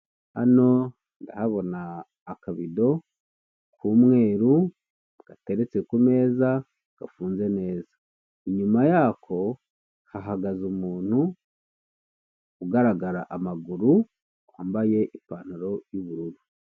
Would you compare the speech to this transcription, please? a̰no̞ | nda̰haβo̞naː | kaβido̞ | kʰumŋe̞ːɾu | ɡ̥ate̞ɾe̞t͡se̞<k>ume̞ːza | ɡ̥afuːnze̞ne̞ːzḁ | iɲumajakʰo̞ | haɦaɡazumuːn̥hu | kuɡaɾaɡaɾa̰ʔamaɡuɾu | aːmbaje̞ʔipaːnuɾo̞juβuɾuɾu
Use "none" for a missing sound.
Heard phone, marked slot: k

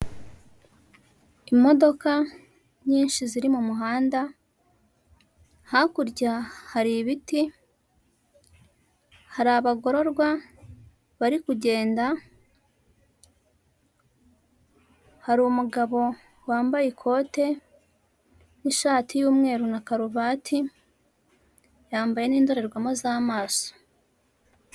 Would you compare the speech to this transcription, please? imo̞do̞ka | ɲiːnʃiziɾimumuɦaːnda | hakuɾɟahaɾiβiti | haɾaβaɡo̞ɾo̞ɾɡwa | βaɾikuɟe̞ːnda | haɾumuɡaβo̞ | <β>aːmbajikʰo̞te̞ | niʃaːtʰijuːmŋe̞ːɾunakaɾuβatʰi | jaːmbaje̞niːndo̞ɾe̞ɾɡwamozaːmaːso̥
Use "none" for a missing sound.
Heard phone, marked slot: w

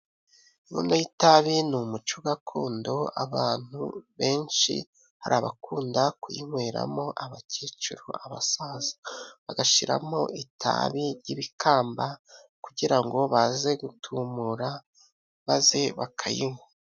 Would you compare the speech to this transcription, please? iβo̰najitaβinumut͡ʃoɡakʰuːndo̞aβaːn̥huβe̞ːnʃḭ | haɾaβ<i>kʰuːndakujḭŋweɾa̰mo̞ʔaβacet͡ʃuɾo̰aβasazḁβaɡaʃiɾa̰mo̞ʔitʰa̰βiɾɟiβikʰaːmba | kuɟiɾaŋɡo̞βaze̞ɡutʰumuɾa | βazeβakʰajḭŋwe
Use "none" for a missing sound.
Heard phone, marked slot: a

